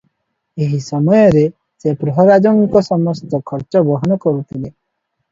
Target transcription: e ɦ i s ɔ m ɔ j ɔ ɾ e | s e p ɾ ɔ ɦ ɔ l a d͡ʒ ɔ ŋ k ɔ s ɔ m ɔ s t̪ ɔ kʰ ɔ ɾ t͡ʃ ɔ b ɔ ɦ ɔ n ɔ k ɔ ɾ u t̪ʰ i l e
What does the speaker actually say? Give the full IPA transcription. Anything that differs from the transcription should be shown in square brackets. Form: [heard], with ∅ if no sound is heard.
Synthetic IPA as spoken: e ɦ i s ɔ m ɔ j ɔ ɾ e | s e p ɾ ɔ ɦ ɔ [ɾ] a d͡ʒ ɔ ŋ k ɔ s ɔ m ɔ s t̪ ɔ kʰ ɔ ɾ t͡ʃ ɔ b ɔ ɦ ɔ n ɔ k ɔ ɾ u t̪ʰ i l e